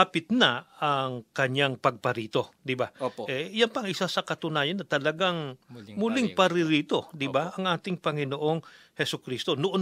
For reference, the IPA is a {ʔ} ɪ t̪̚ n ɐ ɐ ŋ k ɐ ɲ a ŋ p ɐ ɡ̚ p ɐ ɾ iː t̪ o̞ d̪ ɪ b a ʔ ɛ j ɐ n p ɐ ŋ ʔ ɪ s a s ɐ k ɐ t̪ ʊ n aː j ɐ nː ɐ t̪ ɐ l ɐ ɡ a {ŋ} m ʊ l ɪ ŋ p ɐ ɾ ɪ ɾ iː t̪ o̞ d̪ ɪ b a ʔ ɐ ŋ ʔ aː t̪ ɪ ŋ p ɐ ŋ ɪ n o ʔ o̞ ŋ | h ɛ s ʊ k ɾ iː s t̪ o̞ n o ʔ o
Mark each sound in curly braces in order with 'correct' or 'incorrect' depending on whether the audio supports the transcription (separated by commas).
incorrect, correct